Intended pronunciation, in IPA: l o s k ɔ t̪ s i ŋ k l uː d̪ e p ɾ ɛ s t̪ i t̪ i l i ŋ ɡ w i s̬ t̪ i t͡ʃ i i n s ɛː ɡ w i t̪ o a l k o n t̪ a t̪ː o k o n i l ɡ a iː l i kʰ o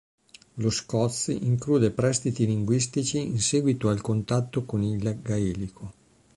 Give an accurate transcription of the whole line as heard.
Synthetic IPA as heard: l o s k ɔ t̪ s i ŋ k l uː d̪ e p ɾ ɛ s t̪ i t̪ i l i ŋ ɡ w i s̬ t̪ i t͡ʃ i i n s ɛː ɡ w i t̪ o a l k o n t̪ a t̪ː o k o n i l ɡ a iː l i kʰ o